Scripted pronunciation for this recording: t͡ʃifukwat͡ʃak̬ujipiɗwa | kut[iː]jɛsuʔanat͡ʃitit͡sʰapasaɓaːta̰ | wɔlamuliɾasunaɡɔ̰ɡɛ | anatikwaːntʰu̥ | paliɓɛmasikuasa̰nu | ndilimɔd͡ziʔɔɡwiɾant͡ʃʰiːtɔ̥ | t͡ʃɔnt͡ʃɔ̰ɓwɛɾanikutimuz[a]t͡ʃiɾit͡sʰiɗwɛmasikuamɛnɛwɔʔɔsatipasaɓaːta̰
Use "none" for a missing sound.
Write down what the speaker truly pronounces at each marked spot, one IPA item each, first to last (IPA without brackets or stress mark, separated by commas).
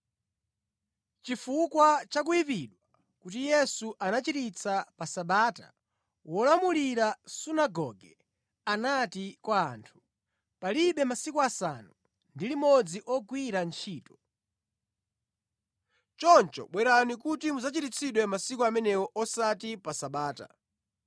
i, a